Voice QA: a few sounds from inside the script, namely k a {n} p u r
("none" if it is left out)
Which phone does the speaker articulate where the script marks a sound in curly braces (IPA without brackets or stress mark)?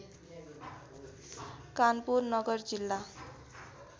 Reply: n